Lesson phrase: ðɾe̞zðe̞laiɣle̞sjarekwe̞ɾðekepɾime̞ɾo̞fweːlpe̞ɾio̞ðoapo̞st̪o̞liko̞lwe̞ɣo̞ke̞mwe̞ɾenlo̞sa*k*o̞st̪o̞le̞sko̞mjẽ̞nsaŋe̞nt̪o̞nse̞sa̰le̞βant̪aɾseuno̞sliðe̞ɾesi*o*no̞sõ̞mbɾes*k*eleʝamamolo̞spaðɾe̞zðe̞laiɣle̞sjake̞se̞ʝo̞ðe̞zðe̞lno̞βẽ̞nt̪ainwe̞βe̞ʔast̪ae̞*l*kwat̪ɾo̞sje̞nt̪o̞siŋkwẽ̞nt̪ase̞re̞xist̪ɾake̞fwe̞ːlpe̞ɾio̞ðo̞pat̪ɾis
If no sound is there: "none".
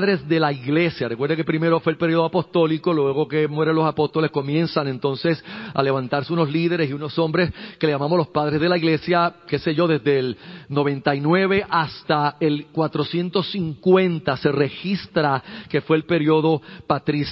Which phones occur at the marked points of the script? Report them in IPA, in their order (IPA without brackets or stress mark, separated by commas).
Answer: p, u, k, l